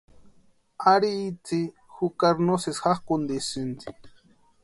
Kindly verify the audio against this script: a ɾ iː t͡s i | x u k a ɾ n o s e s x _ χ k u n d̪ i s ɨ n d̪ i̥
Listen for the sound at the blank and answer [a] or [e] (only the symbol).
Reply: a